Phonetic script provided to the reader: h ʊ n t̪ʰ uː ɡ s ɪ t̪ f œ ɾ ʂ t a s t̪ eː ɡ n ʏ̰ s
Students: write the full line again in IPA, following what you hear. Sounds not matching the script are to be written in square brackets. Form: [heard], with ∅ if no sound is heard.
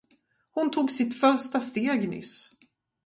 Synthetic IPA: h ʊ n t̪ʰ uː ɡ s ɪ t̪ f œ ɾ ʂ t a s t̪ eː ɡ n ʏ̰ s